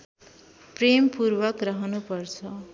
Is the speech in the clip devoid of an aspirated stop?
no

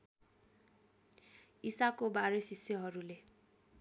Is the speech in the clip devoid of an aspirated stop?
yes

